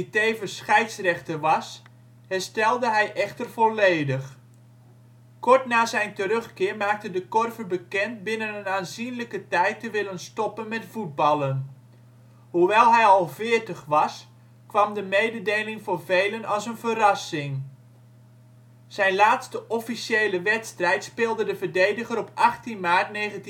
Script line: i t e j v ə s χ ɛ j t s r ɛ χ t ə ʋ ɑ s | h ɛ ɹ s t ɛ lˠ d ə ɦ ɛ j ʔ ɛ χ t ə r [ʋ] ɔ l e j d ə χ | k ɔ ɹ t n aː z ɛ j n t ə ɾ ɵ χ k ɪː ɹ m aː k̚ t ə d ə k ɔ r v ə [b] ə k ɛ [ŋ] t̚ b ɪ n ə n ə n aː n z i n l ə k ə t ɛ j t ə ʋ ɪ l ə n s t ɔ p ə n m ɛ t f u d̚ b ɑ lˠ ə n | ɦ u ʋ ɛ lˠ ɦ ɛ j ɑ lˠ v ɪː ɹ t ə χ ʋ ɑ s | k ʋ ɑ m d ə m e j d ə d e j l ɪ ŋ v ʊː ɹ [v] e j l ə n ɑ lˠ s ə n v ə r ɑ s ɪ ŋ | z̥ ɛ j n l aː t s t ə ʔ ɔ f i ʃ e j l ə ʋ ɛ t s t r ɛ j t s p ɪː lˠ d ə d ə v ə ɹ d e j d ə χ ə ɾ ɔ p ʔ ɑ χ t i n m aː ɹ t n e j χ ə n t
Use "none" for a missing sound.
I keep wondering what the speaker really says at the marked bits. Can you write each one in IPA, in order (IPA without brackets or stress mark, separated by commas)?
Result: v, b, n, v